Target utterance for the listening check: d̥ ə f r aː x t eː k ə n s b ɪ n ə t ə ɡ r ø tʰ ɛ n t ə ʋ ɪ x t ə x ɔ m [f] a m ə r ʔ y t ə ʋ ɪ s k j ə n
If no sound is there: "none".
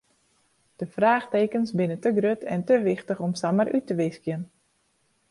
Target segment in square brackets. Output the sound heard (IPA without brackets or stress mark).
s